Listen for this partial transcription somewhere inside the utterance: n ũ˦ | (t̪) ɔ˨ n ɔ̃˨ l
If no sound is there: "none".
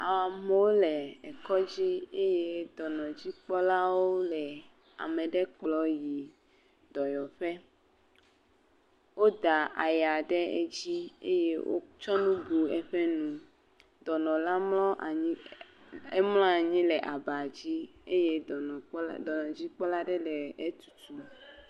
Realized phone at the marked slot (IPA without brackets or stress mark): d̪